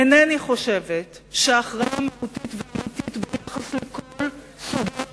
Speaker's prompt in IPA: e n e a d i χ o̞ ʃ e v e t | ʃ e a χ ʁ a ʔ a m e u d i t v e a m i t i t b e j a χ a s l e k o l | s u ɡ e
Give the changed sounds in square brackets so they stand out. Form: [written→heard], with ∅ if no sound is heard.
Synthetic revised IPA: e n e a [d→n] i χ o̞ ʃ e v e t | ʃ e a χ ʁ a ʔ a m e u [d→t] i t v e a m i t i t b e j a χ a s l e k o l | s u ɡ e